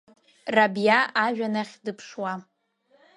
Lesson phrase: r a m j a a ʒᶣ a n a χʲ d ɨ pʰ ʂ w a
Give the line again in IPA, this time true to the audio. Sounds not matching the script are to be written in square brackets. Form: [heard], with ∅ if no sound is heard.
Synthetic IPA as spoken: r a [b] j a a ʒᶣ a n a χʲ d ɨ pʰ ʂ w a